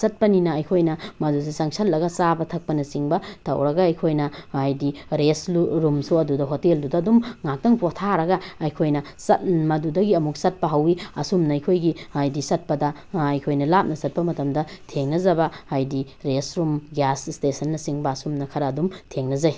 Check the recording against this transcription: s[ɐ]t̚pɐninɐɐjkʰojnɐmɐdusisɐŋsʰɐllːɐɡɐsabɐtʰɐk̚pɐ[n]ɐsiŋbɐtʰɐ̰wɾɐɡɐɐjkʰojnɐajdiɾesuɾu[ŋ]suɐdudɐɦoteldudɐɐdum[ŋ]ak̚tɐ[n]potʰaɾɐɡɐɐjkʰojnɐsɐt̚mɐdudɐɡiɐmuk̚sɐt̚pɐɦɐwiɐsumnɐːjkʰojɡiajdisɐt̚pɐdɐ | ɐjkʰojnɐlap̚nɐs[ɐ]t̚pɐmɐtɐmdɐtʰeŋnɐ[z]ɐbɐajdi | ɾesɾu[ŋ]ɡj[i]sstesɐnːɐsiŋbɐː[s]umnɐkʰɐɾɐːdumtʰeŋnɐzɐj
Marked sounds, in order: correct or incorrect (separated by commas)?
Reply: correct, correct, incorrect, correct, incorrect, correct, correct, incorrect, incorrect, correct